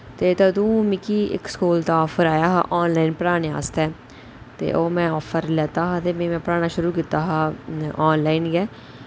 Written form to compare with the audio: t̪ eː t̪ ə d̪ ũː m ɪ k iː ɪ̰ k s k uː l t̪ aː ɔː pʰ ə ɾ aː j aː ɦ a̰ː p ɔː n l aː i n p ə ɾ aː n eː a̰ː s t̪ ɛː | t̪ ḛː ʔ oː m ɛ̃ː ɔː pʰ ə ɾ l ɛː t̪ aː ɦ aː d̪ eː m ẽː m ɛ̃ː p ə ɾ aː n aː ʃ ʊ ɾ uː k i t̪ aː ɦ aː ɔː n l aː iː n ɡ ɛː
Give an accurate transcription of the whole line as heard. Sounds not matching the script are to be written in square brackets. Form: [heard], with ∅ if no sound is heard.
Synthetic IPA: t̪ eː t̪ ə d̪ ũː m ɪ k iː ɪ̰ k s k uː l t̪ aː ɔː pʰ ə ɾ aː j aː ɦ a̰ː [ʔ] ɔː n l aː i n p ə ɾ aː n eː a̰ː s t̪ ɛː | t̪ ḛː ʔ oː m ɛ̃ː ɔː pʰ ə ɾ l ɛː t̪ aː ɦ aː [t̪] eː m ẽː m ɛ̃ː p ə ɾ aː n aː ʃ ʊ ɾ uː k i t̪ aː ɦ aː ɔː n l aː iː n ɡ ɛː